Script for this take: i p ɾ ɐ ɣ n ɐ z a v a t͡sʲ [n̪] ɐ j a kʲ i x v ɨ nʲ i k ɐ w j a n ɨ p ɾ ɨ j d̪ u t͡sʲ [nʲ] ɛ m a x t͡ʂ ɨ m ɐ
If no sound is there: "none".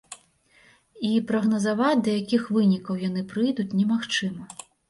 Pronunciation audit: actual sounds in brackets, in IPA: d̪, nʲ

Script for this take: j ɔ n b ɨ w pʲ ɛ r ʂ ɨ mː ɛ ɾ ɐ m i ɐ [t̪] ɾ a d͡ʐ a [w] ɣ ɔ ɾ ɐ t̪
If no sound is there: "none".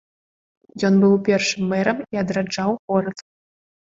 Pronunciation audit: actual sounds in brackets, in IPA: d̪, w

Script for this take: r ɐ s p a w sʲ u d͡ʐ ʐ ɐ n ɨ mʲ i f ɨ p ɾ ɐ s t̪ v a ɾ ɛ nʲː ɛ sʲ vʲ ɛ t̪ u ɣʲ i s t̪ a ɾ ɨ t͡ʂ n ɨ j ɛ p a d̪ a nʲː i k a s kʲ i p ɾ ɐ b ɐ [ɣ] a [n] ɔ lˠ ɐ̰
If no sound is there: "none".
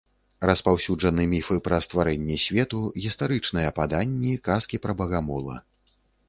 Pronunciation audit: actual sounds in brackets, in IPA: ɣ, m

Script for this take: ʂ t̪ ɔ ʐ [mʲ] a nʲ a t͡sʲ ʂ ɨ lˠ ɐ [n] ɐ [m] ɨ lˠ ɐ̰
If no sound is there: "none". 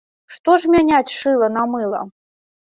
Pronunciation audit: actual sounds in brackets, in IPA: mʲ, n, m

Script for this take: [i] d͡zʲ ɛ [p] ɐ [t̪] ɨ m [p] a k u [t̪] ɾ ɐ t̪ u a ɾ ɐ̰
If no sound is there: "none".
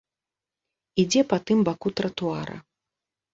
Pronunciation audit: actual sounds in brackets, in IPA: i, p, t̪, b, t̪

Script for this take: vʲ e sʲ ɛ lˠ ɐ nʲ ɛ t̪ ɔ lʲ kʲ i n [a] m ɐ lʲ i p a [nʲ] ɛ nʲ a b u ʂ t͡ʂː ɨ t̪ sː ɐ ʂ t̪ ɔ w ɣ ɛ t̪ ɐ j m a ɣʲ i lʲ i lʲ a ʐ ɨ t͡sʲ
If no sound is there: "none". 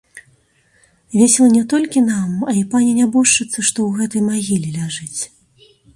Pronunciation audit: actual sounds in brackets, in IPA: a, nʲ

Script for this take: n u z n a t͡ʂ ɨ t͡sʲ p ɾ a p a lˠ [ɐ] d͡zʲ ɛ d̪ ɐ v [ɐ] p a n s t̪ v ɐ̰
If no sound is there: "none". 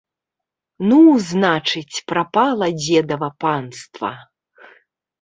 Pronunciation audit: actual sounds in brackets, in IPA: ɐ, ɐ

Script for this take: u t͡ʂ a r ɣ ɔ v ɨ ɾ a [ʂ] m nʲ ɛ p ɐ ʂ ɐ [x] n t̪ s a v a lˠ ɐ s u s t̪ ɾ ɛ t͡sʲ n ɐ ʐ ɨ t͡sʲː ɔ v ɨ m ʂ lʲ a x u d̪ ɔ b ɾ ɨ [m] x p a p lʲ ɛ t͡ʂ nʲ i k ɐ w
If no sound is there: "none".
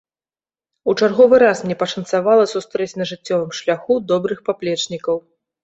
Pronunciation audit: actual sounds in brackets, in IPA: s, none, none

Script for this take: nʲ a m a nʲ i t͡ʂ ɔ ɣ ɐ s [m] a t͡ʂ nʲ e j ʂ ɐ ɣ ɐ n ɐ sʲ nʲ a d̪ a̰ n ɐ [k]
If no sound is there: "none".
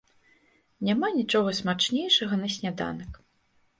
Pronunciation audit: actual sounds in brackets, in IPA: m, k

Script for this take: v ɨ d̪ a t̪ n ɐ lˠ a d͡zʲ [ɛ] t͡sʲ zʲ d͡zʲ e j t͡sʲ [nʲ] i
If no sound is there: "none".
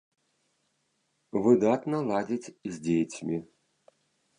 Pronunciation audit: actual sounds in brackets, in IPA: i, mʲ

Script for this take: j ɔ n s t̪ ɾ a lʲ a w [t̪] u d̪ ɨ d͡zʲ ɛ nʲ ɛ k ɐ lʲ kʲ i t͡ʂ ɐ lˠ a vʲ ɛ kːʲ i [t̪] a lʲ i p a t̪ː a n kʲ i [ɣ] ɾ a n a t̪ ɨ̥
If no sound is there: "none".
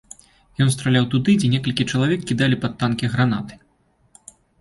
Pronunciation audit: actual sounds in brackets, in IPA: t̪, d̪, ɣ

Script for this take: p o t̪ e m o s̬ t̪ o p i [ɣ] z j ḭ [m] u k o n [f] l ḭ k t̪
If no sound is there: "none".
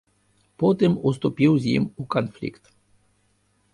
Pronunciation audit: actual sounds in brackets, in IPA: w, m, f

